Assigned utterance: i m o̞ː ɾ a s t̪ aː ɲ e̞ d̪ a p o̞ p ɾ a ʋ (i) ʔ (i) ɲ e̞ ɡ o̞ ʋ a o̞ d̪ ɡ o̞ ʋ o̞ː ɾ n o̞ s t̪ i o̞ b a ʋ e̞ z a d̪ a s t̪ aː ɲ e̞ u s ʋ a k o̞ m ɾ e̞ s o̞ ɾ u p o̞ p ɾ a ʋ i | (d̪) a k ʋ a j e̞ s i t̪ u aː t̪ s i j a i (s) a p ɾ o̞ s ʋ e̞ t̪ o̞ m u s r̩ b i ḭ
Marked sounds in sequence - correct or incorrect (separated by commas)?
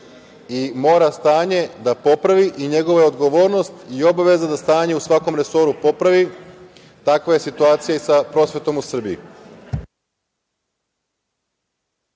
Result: correct, correct, incorrect, correct